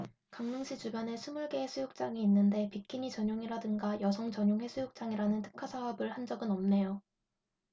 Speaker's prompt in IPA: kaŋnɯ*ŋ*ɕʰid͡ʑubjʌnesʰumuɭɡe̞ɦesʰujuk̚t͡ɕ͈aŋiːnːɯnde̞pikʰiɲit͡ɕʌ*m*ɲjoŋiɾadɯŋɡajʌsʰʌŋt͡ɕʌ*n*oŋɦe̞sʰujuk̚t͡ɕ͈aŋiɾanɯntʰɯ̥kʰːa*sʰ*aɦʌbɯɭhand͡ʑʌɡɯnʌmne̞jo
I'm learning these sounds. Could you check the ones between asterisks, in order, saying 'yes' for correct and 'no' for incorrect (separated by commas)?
yes, no, no, yes